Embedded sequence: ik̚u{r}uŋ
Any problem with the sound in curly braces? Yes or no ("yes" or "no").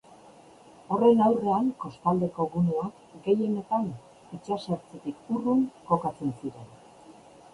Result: no